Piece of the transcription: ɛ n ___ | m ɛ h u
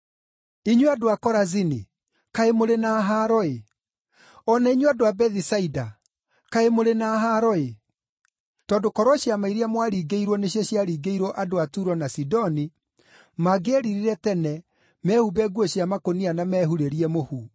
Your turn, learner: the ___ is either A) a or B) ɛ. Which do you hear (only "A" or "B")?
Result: B